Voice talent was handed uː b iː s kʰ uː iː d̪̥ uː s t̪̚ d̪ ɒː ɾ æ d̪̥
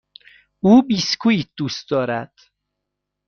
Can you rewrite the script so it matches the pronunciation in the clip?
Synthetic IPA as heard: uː b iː s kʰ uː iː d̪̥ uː s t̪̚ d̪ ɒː ɾ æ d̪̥